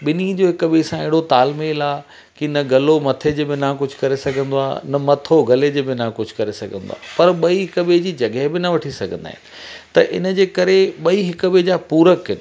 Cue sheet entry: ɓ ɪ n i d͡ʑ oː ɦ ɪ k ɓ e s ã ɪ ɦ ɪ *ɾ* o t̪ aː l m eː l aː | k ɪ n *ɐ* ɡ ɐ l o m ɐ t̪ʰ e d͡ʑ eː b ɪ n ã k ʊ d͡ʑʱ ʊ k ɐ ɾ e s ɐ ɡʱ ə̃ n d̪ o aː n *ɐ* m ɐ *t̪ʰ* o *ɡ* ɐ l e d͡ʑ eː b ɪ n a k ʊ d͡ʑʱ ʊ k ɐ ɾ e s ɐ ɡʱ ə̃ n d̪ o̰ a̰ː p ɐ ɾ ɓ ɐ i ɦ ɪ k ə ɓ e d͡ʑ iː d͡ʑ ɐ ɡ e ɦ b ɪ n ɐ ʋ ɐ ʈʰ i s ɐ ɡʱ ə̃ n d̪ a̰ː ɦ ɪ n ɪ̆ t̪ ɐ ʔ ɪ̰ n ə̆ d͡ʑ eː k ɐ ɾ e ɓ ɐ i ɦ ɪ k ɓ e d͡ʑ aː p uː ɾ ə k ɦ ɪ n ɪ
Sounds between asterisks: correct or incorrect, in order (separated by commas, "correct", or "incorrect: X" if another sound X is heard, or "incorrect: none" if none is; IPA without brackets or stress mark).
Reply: incorrect: ɽ, correct, correct, correct, correct